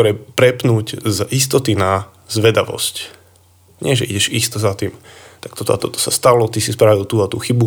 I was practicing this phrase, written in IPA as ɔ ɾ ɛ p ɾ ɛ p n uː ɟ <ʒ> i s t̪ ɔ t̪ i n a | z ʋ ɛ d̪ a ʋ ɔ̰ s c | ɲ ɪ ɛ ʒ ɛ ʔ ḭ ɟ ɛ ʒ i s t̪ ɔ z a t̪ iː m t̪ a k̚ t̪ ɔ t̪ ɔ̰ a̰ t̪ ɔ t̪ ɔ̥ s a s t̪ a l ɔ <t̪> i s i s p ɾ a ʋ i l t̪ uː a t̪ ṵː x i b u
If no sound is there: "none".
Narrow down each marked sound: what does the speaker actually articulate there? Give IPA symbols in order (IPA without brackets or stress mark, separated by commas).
z, t̪